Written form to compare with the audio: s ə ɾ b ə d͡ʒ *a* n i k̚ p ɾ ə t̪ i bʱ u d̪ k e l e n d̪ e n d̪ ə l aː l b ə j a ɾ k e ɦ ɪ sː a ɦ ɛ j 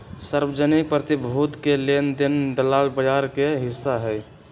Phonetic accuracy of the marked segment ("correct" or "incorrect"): incorrect